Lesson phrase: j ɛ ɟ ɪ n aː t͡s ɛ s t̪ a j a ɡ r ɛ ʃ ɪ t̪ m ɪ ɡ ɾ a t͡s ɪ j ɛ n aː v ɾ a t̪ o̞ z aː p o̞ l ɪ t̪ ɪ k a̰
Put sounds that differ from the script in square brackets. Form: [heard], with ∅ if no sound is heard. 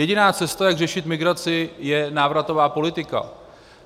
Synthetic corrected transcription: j ɛ ɟ ɪ n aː t͡s ɛ s t̪ a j a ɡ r ɛ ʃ ɪ t̪ m ɪ ɡ ɾ a t͡s ɪ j ɛ n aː v ɾ a t̪ o̞ [v] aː p o̞ l ɪ t̪ ɪ k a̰